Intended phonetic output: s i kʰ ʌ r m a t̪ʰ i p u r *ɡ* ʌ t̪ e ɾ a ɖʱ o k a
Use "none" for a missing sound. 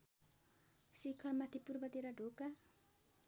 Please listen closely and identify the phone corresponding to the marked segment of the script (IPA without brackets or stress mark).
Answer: b